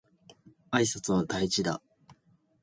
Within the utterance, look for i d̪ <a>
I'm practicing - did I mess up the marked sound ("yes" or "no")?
no